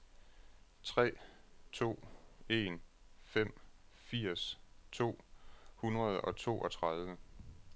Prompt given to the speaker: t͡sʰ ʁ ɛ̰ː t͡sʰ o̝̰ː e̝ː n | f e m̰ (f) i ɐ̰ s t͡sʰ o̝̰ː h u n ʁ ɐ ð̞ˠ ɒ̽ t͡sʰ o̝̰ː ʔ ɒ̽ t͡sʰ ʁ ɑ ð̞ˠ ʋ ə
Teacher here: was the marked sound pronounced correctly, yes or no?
yes